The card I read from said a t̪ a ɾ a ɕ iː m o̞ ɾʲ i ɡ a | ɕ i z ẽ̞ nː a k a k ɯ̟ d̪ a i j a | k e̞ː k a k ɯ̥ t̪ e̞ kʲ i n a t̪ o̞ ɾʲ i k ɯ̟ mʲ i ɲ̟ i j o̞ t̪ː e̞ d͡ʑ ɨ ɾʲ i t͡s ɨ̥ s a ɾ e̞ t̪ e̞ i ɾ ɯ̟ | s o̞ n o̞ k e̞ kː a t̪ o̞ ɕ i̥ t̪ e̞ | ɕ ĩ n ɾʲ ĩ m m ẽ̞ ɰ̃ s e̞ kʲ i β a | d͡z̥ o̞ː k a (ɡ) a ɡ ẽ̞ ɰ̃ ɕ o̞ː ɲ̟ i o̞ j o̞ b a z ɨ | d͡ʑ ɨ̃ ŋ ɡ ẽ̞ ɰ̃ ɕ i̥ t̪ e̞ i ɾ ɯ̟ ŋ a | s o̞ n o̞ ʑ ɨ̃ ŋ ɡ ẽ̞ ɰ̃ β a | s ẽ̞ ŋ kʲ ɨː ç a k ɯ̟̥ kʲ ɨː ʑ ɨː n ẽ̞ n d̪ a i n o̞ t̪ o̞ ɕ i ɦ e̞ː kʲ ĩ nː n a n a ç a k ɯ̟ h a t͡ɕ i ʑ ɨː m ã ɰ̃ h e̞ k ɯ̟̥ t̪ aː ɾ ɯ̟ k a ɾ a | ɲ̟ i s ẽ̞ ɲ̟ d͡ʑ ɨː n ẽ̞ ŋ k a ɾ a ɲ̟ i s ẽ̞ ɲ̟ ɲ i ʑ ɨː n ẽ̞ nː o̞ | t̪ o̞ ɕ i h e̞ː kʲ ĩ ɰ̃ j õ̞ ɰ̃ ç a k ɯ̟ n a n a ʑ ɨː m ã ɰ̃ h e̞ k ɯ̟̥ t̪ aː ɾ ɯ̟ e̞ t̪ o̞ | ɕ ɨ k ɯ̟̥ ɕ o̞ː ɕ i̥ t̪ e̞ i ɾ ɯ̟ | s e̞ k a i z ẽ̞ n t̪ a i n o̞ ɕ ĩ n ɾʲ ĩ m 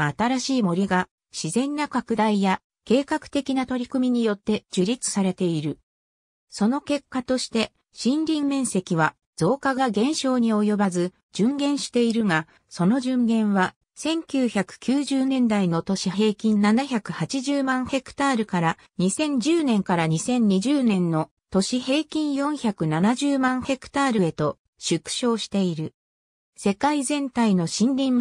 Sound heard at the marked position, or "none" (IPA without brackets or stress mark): ɡ